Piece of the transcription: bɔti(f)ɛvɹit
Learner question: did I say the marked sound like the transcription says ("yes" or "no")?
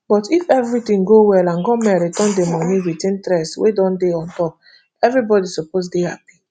yes